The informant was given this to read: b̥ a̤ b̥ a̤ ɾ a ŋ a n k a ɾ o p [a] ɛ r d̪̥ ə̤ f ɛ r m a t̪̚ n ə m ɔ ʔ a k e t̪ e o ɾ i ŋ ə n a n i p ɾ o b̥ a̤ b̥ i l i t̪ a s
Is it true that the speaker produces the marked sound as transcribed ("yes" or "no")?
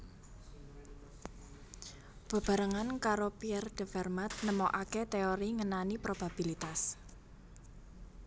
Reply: no